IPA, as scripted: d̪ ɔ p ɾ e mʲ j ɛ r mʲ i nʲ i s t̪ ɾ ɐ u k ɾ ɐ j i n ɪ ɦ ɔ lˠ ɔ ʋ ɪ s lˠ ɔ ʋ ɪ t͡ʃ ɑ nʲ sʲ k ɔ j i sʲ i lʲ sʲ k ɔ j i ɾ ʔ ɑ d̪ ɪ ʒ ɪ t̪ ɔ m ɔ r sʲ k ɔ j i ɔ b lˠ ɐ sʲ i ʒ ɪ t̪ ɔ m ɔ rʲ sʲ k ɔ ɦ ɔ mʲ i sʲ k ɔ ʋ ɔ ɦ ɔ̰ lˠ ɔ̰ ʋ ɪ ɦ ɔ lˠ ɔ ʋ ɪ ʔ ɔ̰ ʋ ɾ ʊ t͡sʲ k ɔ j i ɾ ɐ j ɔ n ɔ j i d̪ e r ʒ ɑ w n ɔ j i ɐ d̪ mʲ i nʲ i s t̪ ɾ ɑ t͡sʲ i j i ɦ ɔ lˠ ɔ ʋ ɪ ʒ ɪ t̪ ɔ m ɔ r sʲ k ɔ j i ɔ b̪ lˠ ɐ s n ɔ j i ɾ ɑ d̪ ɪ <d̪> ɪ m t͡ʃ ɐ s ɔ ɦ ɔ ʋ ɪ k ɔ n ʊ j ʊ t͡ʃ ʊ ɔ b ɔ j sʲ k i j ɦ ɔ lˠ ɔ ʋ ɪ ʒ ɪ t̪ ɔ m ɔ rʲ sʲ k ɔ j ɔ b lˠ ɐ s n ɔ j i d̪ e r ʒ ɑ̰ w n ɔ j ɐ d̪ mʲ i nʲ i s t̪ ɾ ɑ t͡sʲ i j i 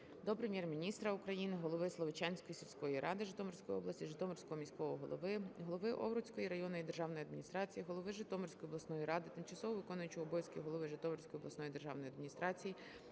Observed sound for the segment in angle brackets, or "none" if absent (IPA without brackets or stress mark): t̪